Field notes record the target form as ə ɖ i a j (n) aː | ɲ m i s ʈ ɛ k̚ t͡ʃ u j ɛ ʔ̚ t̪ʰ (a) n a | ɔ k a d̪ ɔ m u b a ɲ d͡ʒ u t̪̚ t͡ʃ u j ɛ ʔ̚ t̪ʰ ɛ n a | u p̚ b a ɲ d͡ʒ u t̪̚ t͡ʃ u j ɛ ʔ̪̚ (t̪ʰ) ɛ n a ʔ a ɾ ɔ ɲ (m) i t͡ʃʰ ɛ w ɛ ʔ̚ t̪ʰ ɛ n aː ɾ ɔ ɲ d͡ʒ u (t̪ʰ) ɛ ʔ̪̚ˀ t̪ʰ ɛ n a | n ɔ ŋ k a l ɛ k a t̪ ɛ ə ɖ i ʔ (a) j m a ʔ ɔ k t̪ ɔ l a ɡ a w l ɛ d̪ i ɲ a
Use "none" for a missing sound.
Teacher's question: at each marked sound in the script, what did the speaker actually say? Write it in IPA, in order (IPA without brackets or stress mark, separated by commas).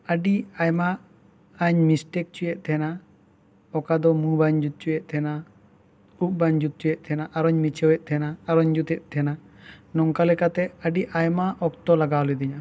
m, ɛ, t̪ʰ, m, t̪, a